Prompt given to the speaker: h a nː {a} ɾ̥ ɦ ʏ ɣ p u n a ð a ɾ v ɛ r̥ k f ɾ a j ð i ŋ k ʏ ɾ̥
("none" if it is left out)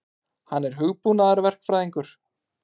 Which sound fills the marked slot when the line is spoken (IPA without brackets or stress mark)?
ɛ